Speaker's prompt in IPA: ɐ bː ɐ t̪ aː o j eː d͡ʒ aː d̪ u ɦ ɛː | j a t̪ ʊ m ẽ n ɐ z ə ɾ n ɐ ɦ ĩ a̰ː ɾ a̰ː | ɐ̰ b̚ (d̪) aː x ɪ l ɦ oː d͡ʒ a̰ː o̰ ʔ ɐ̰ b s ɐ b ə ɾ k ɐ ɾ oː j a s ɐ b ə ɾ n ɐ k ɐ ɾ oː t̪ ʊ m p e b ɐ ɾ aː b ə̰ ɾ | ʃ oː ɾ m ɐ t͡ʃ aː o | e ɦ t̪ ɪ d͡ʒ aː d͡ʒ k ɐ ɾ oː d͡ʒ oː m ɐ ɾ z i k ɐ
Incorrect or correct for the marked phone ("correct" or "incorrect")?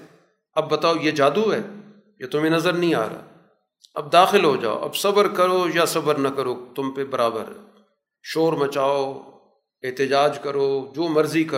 correct